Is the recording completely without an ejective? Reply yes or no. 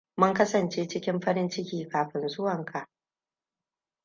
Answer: yes